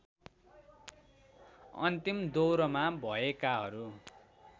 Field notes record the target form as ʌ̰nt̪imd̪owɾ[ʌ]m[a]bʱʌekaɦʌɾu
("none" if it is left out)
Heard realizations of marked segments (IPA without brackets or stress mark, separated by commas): ʌ, a